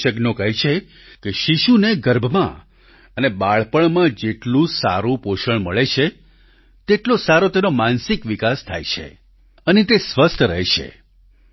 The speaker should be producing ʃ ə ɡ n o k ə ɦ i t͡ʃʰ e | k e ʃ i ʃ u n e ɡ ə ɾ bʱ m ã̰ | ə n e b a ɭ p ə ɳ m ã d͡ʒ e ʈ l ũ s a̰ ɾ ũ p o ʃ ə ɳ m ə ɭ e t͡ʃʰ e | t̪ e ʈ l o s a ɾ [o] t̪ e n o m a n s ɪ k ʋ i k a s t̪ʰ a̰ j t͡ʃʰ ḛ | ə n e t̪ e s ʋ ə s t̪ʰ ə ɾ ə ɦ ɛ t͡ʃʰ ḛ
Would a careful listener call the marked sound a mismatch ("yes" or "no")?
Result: no